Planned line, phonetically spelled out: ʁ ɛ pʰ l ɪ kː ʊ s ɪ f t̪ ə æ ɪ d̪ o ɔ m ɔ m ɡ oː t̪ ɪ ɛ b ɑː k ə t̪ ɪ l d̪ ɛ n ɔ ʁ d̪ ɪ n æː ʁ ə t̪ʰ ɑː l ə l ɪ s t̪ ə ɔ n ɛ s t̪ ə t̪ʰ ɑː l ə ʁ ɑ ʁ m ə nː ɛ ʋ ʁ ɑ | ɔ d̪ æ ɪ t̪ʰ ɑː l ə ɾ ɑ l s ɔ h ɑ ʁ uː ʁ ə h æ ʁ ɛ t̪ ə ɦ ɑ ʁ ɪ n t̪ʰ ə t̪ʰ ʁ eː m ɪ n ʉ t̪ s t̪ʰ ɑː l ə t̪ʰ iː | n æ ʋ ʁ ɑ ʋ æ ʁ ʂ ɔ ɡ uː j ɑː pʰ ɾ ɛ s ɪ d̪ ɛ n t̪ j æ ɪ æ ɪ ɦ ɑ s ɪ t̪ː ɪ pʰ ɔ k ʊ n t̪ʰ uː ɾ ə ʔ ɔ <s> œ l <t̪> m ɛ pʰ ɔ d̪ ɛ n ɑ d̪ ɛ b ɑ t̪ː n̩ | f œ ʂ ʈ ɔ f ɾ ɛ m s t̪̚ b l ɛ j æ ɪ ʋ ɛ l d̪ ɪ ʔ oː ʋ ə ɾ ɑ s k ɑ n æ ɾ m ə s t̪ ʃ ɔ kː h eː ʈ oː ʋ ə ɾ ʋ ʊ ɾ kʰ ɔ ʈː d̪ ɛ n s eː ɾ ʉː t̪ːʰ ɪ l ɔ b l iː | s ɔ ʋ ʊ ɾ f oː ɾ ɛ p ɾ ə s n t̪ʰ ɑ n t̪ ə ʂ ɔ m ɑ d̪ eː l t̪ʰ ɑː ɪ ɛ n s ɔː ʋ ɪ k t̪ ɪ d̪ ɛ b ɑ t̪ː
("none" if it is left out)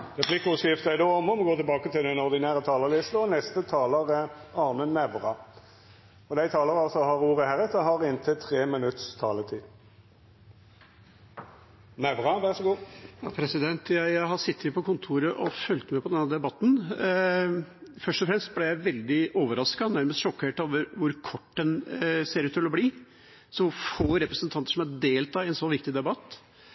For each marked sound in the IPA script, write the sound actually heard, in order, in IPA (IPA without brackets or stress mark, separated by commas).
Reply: f, t̪